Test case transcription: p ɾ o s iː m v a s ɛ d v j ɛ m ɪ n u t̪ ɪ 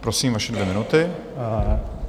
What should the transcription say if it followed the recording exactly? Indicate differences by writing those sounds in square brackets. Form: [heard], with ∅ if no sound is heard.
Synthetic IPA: p ɾ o s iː m v a [ʃ] ɛ d v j ɛ m ɪ n u t̪ ɪ